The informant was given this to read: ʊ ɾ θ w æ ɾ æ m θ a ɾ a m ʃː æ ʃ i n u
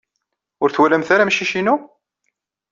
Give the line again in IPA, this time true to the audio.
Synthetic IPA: ʊ ɾ θ w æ l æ m θ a ɾ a m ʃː i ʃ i n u

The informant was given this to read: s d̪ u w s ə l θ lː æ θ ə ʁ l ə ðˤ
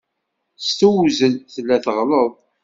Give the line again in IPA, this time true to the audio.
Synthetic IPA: s t̪ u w z ə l θ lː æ θ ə ʁ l ə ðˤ

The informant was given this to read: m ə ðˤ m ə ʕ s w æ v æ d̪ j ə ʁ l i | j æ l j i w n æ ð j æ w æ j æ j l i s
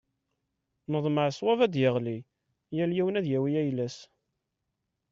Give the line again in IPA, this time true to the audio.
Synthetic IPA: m ə ðˤ m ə ʕ s w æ v æ d̪ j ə ʁ l i | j æ l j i w n æ ð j æ w i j æ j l æ s

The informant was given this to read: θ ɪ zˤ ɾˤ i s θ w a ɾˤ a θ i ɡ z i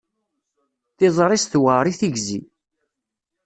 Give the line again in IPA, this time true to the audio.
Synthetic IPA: θ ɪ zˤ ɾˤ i s θ w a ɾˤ i θ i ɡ z i

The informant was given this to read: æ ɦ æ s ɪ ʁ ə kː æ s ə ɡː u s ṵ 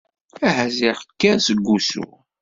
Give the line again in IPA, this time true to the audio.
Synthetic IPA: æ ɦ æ z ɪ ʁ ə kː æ s ə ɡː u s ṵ

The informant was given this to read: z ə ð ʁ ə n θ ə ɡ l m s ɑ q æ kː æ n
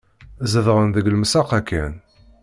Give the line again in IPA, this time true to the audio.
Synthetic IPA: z ə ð ʁ ə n ð ə ɡ l m s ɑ q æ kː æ n

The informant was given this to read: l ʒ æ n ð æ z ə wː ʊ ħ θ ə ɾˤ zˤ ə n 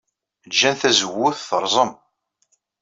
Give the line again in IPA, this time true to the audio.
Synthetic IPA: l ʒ æ n θ æ z ə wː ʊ θ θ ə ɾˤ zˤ ə m

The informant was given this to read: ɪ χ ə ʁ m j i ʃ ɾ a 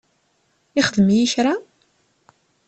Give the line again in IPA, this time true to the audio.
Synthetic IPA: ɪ χ ə ð m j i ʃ ɾ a

